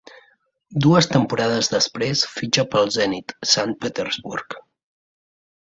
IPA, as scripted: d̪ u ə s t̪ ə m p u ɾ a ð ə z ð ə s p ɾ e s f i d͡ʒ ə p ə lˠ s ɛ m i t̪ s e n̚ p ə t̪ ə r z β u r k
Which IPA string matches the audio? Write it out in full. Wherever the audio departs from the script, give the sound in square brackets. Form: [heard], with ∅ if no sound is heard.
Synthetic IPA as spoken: d̪ u ə s t̪ ə m p u ɾ a ð ə z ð ə s p ɾ e s f i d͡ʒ ə p ə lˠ [z] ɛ [n] i t̪ s [a] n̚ p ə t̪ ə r z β u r k